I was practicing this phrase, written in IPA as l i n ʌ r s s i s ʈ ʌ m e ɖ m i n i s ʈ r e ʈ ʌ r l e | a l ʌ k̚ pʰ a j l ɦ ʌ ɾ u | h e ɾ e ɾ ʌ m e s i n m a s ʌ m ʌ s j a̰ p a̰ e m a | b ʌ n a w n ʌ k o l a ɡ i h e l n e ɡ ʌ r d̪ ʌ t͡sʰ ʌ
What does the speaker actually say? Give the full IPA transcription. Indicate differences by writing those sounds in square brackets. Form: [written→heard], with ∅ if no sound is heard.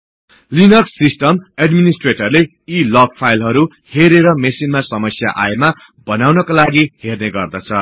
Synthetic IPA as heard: l i n ʌ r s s i s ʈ ʌ m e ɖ m i n i s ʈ r e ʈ ʌ r l e | [a→i] l ʌ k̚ pʰ a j l ɦ ʌ ɾ u | h e ɾ e ɾ ʌ m e s i n m a s ʌ m ʌ s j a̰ [p→ʔ] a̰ e m a | b ʌ n a w n ʌ k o l a ɡ i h e [l→r] n e ɡ ʌ r d̪ ʌ t͡sʰ ʌ